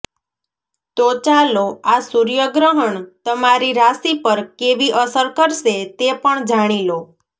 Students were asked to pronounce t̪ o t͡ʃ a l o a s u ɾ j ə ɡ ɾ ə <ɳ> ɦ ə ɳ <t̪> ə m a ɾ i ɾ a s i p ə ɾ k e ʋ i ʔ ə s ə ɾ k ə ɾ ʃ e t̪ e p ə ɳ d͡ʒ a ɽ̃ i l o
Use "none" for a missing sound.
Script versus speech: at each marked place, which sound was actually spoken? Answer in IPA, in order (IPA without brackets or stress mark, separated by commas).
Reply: none, t̪